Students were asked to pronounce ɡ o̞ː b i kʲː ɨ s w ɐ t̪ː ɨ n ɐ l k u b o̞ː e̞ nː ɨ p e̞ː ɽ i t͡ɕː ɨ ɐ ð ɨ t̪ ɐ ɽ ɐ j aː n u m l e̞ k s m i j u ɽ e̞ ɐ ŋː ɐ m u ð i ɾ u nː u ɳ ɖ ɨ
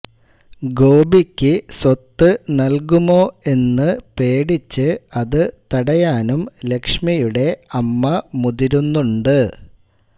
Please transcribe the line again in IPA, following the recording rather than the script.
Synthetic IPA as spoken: ɡ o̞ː b i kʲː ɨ s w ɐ t̪ː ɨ n ɐ l k u m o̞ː e̞ nː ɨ p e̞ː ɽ i t͡ɕː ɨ ɐ ð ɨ t̪ ɐ ɽ ɐ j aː n u m l e̞ k ʂ m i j u ɽ e̞ ɐ mː ɐ m u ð i ɾ u nː u ɳ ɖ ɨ

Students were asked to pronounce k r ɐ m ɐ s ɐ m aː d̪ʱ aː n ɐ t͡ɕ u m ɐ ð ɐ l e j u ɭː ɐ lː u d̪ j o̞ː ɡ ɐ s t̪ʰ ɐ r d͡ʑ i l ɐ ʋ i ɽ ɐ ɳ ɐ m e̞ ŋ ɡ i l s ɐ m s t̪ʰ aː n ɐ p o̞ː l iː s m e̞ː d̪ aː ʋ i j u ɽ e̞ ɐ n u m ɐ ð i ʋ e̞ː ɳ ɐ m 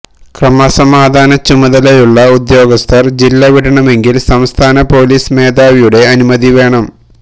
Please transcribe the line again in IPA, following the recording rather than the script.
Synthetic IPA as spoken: k r ɐ m ɐ s ɐ m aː d̪ʱ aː n ɐ t͡ɕ u m ɐ ð ɐ l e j u ɭː ɐ u d̪ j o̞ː ɡ ɐ s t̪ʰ ɐ r d͡ʑ i lː ɐ ʋ i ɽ ɐ ɳ ɐ m e̞ ŋ ɡ i l s ɐ m s t̪ʰ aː n ɐ p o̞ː l iː s m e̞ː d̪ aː ʋ i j u ɽ e̞ ɐ n u m ɐ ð i ʋ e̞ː ɳ ɐ m

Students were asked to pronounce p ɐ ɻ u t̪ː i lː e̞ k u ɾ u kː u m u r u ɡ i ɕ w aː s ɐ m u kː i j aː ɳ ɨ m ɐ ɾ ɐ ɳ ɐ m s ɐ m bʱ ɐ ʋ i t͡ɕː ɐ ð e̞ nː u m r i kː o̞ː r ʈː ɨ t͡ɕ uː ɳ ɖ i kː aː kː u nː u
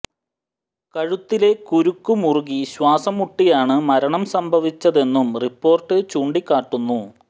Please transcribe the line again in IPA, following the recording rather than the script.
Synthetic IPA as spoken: k ɐ ɻ u t̪ː i l e̞ k u ɾ u kː u m u r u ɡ i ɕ w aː s ɐ m u ʈː i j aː ɳ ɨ m ɐ ɾ ɐ ɳ ɐ m s ɐ m bʱ ɐ ʋ i t͡ɕː ɐ ð e̞ nː u m r i pː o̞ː r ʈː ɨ t͡ɕ uː ɳ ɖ i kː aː ʈː u nː u

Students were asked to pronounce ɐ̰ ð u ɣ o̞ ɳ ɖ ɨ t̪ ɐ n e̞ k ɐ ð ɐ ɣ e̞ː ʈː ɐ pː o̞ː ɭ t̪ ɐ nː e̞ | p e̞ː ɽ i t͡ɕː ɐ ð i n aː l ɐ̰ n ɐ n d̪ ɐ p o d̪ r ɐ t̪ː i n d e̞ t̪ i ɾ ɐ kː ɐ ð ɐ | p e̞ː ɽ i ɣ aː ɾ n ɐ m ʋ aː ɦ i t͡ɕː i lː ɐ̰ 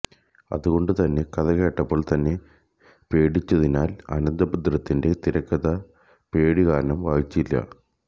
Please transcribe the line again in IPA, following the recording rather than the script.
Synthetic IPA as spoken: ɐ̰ ð u ɣ o̞ ɳ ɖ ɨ t̪ ɐ nː e̞ k ɐ ð ɐ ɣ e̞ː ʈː ɐ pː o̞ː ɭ t̪ ɐ nː e̞ | p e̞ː ɽ i t͡ɕː ɐ ð i n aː l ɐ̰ n ɐ n d̪ ɐ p u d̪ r ɐ t̪ː i n d e̞ t̪ i ɾ ɐ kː ɐ ð ɐ | p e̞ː ɽ i ɣ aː ɾ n ɐ m ʋ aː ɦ i t͡ɕː i lː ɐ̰

